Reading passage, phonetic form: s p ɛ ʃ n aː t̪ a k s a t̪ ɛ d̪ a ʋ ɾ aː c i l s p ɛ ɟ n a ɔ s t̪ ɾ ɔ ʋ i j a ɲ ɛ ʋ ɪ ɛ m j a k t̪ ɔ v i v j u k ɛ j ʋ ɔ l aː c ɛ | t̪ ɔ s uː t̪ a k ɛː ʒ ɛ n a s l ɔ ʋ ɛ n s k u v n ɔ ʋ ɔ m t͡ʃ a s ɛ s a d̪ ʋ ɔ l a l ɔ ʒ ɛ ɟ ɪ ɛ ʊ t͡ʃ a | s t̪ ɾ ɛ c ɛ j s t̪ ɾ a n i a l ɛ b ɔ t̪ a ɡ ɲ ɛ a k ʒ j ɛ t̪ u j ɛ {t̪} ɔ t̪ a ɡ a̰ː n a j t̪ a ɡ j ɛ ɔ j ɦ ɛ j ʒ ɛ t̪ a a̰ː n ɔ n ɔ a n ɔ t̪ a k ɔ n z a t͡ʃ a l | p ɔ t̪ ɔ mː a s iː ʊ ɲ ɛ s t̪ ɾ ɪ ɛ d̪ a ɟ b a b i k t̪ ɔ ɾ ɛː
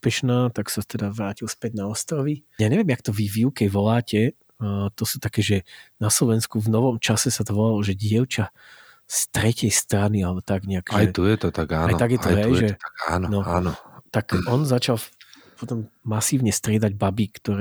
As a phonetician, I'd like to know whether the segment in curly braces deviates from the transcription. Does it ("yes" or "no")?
no